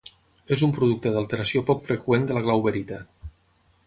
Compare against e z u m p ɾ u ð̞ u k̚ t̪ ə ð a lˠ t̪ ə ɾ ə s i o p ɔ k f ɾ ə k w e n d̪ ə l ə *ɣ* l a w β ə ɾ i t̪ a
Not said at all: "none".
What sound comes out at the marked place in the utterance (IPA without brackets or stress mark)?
ɣ